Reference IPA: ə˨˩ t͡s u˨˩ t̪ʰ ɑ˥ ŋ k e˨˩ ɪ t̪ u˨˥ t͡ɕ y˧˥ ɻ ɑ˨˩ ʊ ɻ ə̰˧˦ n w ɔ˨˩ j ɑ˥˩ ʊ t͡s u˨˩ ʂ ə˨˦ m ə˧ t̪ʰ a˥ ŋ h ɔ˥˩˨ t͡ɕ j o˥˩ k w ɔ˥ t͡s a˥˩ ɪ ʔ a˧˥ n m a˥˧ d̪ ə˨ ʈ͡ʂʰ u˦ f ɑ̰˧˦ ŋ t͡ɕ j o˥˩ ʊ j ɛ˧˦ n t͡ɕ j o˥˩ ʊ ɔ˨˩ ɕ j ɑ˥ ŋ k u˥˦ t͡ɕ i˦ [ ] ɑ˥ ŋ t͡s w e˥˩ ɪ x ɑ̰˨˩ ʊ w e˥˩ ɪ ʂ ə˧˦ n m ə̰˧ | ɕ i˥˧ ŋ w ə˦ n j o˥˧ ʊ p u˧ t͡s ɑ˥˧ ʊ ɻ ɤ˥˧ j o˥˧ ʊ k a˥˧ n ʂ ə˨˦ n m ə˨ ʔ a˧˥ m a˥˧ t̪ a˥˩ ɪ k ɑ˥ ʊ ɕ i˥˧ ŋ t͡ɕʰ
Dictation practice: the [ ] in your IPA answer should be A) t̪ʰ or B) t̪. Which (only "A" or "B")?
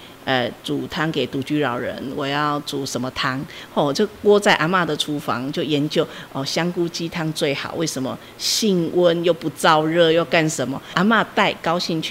A